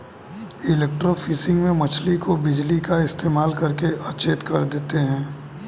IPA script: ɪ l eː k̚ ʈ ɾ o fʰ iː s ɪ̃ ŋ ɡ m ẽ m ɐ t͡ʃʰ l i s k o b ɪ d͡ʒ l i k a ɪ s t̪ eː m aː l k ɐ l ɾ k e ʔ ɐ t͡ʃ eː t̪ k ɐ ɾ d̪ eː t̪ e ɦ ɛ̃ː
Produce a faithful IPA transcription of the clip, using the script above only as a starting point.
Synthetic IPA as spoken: ɪ l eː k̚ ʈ ɾ o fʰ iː s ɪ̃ ŋ ɡ m ẽ m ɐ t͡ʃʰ l i k o b ɪ d͡ʒ l i k a ɪ s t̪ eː m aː l k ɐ ɾ k e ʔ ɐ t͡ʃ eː t̪ k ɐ ɾ d̪ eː t̪ e ɦ ɛ̃ː